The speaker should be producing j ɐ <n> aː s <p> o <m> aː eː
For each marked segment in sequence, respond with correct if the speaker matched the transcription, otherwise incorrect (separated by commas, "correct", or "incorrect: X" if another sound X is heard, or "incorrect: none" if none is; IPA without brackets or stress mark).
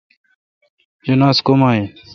correct, incorrect: k, correct